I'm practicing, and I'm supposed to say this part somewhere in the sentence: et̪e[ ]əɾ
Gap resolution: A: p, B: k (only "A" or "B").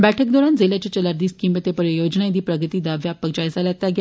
A